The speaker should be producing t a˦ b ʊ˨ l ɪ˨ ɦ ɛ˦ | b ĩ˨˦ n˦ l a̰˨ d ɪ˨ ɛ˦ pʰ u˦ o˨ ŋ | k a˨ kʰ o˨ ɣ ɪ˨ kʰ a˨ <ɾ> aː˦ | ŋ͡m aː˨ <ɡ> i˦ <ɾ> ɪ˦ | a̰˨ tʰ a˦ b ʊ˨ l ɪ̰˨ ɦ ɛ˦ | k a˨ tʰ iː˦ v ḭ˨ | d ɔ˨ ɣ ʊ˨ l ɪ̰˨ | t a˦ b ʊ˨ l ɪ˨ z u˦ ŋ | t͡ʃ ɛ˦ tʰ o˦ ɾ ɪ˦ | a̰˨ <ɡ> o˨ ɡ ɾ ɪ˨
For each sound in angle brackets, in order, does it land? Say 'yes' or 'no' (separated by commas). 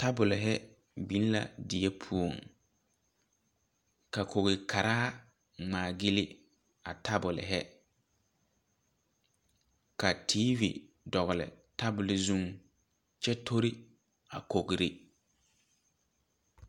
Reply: yes, yes, no, no